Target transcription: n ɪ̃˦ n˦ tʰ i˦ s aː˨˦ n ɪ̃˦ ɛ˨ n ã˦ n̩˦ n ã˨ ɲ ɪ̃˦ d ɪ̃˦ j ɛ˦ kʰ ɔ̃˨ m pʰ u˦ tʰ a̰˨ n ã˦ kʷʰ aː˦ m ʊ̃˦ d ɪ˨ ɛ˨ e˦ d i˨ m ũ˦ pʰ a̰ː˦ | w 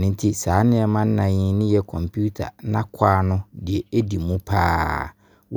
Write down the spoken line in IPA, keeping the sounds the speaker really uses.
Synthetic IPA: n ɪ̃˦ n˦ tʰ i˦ s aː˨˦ n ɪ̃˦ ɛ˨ m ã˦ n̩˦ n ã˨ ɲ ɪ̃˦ n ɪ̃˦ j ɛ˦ kʰ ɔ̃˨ m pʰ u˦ tʰ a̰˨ n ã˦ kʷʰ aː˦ n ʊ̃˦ d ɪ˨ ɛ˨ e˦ d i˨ m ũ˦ pʰ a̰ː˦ | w